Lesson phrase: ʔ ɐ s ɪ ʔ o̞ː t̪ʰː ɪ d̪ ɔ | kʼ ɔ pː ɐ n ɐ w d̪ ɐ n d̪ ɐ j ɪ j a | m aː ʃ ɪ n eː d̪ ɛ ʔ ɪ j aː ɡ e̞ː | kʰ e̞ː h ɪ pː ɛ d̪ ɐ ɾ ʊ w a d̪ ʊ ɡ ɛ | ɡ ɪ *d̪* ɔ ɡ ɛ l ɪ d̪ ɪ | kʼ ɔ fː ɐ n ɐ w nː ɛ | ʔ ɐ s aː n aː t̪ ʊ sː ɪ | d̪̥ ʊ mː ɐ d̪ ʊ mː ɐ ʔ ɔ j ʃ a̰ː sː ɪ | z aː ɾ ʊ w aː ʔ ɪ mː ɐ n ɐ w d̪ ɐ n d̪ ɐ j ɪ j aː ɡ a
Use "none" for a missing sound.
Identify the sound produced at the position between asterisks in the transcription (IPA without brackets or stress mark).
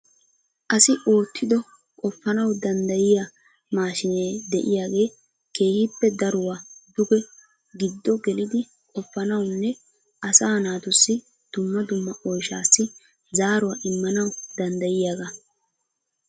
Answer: d̪ː